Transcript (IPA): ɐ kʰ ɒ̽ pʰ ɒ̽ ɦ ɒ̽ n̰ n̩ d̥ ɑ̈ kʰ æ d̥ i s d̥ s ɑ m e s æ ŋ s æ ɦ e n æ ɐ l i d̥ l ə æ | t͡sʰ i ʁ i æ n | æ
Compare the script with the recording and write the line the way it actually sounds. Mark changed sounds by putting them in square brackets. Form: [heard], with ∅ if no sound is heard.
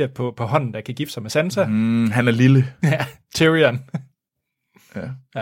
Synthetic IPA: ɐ [pʰ] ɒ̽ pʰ ɒ̽ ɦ ɒ̽ n̰ n̩ d̥ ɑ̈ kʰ æ [ɡ̥] i [f] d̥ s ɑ m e s æ [n] s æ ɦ [æ] n æ ɐ l i [∅] l ə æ | t͡sʰ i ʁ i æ n | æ